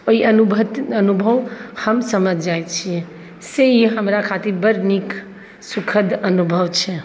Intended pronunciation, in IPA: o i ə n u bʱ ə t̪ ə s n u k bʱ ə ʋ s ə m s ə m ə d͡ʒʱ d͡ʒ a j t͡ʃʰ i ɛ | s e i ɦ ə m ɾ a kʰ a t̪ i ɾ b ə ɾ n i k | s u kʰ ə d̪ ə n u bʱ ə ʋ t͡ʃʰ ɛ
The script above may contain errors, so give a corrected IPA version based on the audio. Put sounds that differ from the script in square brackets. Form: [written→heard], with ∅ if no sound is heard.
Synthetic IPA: o i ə n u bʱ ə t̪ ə [s→∅] n u [k→∅] bʱ ə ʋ [s→h] ə m s ə m ə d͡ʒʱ d͡ʒ a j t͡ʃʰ i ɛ | s e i ɦ ə m ɾ a kʰ a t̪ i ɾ b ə ɾ n i k | s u kʰ ə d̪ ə n u bʱ ə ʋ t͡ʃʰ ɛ